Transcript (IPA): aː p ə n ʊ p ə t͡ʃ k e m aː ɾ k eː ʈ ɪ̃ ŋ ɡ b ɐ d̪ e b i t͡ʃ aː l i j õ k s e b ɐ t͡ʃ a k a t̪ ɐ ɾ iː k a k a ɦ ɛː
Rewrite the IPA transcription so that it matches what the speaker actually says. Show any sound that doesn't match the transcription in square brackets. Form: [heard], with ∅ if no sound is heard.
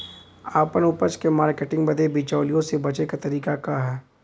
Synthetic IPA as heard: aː p ə n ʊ p ə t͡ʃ k e m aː ɾ k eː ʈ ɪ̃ ŋ ɡ b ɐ d̪ e b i t͡ʃ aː l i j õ [∅] s e b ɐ t͡ʃ [e] k a t̪ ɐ ɾ iː k a k a ɦ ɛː